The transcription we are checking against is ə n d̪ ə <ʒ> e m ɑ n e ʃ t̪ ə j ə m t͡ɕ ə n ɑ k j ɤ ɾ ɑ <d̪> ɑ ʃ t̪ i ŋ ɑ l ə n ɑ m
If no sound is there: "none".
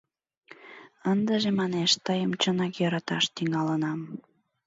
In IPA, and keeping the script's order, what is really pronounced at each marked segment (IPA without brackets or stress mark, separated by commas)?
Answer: ʒ, t̪